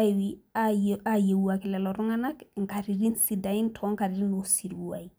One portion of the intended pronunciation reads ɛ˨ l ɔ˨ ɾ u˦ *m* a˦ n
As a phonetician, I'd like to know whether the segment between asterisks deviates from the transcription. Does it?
yes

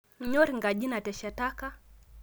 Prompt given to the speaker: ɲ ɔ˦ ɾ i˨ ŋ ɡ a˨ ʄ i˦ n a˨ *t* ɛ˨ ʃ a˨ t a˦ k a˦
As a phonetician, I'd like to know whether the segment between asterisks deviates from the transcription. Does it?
no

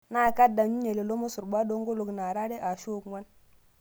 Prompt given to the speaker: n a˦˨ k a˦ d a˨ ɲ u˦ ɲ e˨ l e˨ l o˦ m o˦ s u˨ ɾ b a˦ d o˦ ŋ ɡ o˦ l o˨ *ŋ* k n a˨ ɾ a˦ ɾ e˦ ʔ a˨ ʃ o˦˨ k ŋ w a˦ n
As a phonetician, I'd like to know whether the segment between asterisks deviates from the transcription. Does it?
yes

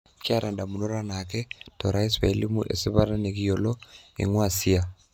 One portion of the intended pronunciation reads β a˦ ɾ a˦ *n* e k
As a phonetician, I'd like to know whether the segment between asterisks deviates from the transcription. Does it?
no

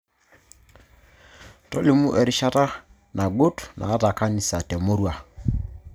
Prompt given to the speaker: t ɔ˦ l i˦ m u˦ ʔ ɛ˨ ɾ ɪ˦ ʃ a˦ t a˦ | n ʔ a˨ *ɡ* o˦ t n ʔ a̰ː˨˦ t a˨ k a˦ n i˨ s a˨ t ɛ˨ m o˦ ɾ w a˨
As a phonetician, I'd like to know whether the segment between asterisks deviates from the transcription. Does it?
no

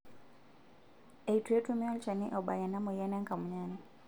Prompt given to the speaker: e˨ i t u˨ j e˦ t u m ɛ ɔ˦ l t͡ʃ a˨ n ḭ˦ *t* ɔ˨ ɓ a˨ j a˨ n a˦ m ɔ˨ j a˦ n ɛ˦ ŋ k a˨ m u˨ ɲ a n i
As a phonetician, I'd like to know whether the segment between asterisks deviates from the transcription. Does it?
yes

